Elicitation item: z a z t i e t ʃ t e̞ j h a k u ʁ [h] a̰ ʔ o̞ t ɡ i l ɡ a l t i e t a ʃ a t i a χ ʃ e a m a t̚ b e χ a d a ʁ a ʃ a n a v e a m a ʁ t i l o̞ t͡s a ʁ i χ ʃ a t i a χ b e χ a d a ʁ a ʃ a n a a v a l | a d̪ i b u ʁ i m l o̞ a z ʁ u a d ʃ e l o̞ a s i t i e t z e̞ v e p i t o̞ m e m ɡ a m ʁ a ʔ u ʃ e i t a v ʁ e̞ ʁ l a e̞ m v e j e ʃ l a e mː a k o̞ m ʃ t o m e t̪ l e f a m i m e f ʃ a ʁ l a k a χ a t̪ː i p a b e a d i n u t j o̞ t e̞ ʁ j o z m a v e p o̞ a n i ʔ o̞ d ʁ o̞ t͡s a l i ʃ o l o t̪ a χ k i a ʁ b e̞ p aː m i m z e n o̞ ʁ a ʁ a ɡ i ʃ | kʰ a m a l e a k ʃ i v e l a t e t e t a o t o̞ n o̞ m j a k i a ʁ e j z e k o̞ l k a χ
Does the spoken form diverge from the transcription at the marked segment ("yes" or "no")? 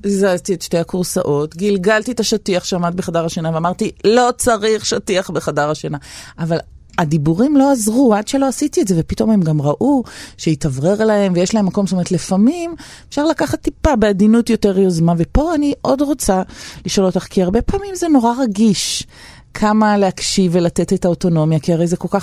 yes